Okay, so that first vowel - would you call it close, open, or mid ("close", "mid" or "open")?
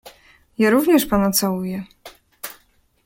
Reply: open